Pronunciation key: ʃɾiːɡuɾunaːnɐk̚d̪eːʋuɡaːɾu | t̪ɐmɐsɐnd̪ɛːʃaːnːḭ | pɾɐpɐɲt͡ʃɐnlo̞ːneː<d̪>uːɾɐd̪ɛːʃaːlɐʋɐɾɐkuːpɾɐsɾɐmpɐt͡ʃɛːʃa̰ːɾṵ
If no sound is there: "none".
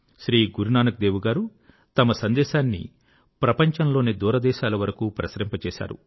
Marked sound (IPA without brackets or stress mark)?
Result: d̪